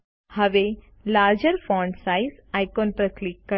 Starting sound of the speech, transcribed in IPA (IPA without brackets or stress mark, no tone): h